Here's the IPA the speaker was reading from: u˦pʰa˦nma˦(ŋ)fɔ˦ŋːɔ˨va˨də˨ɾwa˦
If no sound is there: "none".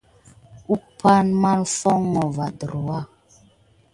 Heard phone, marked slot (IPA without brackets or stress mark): n